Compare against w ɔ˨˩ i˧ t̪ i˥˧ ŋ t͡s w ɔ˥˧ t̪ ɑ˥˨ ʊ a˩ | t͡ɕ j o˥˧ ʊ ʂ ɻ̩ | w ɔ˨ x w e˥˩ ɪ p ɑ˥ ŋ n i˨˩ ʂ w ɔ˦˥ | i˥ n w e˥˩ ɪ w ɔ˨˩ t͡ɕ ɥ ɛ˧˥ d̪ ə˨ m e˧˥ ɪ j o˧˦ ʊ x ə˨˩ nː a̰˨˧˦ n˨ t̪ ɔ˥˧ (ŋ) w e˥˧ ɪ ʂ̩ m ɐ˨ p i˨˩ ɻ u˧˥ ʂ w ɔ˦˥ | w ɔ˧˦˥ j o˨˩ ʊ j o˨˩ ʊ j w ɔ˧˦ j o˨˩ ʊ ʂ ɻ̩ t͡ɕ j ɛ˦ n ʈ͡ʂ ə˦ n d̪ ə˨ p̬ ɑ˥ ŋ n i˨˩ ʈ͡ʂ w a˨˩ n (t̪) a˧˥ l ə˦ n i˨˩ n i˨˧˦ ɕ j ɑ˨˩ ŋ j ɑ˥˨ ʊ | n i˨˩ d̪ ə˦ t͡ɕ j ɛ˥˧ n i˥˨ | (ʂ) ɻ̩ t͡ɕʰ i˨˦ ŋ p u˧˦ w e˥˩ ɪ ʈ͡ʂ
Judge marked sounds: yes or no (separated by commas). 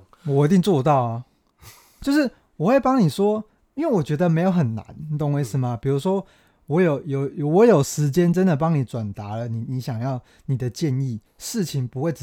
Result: yes, yes, yes